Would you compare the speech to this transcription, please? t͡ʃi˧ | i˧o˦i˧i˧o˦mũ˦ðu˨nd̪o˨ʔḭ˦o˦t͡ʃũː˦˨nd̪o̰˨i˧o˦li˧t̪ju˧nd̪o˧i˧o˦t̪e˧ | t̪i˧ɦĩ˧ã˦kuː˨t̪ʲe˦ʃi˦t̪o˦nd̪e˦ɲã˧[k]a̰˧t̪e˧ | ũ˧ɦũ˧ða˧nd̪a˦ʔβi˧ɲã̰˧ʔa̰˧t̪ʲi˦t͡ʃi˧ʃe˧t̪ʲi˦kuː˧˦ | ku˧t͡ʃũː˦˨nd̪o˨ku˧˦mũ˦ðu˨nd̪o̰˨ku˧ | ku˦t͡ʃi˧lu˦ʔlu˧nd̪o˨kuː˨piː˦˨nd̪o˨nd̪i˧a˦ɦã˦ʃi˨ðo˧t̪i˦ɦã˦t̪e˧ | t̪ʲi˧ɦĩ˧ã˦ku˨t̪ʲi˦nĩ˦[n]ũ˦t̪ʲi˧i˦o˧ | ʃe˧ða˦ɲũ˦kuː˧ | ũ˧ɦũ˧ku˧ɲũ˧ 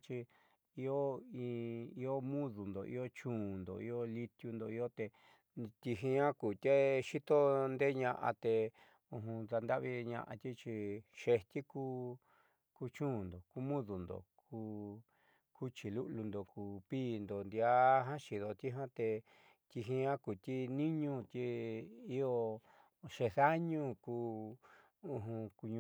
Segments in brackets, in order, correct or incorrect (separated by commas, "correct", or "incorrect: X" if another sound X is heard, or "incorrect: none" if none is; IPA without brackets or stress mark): incorrect: ʔ, incorrect: ɲ